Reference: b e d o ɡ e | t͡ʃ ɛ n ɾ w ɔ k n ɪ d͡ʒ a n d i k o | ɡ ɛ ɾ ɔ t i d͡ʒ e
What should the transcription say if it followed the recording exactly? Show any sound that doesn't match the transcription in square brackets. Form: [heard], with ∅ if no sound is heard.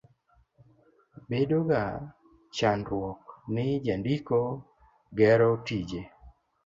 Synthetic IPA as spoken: b e d o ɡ [a] | t͡ʃ [a] n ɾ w ɔ k n ɪ d͡ʒ a n d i k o | ɡ ɛ ɾ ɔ t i d͡ʒ e